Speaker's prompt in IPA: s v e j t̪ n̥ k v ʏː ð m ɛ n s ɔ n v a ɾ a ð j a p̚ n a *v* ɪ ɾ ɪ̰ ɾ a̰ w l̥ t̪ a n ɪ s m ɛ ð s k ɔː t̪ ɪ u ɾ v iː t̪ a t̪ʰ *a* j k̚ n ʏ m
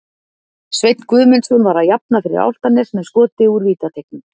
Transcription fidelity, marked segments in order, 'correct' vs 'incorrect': incorrect: f, incorrect: e

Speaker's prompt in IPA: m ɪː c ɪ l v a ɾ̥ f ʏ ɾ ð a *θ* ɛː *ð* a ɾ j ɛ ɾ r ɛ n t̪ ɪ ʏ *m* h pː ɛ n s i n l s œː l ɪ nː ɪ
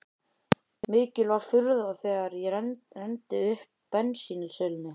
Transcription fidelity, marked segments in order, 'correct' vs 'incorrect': correct, incorrect: ɣ, incorrect: none

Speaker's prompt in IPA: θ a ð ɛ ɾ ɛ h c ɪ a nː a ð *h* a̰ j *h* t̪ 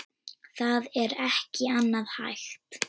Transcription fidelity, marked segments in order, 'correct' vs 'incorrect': correct, incorrect: x

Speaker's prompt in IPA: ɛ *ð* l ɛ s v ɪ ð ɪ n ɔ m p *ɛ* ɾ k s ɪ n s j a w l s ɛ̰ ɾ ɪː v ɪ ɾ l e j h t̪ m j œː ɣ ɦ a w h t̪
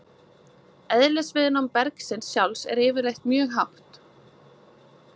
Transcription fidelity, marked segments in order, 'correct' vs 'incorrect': correct, correct

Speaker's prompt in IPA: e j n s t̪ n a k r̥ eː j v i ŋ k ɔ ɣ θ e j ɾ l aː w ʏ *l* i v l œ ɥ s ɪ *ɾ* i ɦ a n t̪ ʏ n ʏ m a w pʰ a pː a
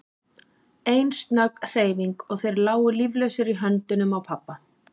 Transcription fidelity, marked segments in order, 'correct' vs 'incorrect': correct, correct

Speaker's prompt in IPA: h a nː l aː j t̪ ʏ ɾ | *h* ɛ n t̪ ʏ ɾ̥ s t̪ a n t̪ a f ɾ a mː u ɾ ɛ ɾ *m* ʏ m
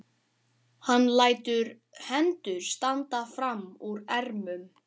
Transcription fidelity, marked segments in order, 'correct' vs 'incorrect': correct, correct

